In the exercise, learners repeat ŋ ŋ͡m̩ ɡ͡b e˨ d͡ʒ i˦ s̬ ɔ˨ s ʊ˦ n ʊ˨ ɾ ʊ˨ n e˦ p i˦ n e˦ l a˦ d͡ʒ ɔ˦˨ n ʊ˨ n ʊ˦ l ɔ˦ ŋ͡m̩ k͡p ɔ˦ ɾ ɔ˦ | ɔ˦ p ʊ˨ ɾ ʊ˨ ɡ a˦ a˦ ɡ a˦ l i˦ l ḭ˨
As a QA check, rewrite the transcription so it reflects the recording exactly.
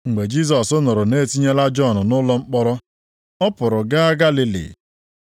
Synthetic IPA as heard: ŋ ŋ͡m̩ ɡ͡b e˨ d͡ʒ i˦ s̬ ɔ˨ s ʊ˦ n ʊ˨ ɾ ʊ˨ n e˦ t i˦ ɲ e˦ l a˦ d͡ʒ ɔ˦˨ n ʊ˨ n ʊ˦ l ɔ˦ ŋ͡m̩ k͡p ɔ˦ ɾ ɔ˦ | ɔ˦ p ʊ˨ ɾ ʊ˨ ɡ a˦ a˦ ɡ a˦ l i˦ l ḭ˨